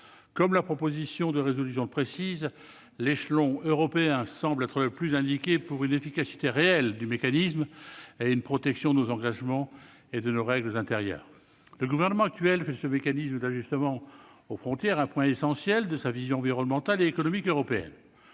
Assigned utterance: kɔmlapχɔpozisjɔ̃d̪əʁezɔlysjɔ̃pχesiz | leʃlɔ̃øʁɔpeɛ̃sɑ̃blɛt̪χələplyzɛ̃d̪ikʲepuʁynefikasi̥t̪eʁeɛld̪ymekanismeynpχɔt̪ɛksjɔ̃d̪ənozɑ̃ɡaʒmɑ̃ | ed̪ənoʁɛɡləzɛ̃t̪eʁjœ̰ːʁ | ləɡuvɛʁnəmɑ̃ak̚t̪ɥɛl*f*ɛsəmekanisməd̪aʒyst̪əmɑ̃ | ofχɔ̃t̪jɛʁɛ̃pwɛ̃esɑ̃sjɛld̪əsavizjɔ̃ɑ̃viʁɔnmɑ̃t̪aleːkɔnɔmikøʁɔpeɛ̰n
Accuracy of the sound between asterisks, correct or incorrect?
correct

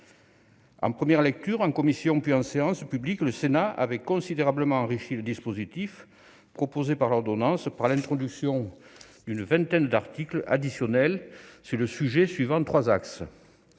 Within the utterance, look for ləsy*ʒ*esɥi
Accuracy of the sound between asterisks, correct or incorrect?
correct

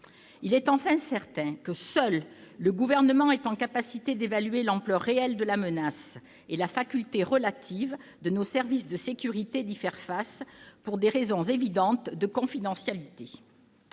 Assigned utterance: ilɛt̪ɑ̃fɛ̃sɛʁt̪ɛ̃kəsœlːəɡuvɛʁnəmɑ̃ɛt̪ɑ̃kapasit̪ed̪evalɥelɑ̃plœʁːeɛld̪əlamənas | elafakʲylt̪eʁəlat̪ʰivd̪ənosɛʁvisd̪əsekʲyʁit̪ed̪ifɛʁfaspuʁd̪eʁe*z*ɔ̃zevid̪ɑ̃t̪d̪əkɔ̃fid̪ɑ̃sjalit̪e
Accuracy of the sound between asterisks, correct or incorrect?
correct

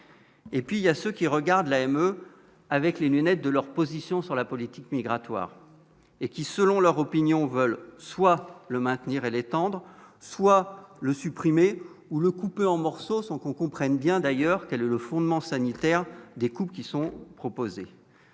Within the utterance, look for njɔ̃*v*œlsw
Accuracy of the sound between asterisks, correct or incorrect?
correct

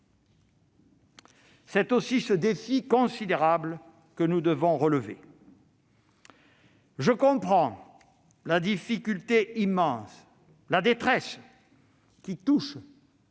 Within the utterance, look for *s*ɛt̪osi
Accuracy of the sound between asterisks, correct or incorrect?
correct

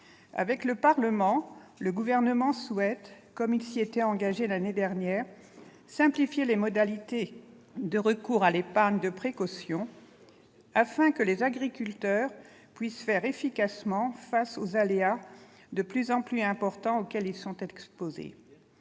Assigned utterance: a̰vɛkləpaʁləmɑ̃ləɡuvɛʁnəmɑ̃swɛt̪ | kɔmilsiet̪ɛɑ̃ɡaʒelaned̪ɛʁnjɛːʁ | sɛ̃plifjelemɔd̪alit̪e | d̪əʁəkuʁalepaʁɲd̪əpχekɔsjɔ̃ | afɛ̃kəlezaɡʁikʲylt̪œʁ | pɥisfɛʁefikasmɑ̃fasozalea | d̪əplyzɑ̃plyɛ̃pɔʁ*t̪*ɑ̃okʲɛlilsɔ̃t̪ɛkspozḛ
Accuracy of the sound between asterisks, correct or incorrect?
correct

